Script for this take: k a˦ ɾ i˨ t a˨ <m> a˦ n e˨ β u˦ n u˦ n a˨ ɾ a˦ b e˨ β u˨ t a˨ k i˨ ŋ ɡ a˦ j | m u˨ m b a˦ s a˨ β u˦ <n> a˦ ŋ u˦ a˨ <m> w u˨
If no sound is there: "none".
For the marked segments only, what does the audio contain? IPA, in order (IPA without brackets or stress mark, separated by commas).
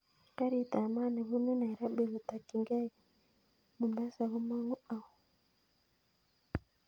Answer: m, m, none